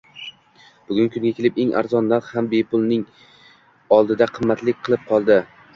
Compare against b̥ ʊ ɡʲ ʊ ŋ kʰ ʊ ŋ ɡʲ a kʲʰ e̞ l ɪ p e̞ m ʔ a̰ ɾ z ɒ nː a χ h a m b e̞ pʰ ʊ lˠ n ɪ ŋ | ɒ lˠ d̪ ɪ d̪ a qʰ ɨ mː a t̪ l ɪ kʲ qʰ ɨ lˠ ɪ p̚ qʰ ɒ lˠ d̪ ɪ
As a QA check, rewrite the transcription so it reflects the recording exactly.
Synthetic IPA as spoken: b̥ ʊ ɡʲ ʊ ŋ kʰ ʊ ŋ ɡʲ a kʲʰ e̞ l ɪ p e̞ ŋ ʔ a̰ ɾ z ɒ nː a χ h a m b e̞ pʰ ʊ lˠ n ɪ ŋ | ɒ lˠ d̪ ɪ d̪ a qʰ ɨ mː a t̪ l ɪ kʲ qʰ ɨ lˠ ɪ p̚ qʰ ɒ lˠ d̪ ɪ